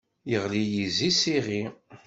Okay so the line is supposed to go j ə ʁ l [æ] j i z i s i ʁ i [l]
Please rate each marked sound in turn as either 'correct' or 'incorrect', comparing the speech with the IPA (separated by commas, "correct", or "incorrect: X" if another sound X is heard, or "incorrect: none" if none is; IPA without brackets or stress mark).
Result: incorrect: i, incorrect: none